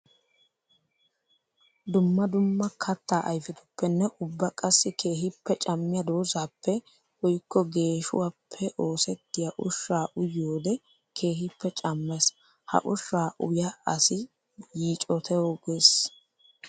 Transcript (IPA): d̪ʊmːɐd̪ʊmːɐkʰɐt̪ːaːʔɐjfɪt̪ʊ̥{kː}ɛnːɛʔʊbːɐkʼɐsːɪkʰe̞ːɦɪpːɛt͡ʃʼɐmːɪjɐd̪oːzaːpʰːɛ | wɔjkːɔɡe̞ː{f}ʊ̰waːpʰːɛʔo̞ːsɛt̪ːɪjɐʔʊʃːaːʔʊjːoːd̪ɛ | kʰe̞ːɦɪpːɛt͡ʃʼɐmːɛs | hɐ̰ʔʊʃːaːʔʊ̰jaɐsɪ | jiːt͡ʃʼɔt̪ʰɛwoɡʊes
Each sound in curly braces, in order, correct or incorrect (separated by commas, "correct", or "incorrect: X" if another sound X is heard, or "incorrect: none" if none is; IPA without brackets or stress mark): incorrect: pː, incorrect: ʃ